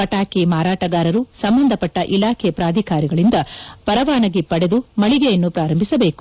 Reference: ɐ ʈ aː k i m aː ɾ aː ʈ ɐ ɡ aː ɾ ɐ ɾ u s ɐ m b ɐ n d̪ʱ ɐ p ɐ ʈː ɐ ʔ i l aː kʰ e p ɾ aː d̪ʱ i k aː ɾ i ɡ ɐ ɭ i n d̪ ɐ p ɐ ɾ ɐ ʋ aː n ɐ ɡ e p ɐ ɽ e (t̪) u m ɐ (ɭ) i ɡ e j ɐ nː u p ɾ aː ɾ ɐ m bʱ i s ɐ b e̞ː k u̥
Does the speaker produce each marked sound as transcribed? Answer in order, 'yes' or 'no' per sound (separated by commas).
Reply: no, yes